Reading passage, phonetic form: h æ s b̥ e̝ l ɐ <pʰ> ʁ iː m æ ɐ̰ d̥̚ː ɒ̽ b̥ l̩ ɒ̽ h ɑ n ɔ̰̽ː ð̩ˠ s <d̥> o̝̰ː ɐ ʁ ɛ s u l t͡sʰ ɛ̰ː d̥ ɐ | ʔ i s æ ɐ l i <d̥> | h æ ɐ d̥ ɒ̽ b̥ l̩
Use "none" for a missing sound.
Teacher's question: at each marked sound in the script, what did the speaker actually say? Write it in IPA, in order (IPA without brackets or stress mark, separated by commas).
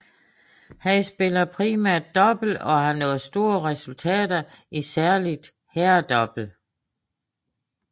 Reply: pʰ, d̥, d̥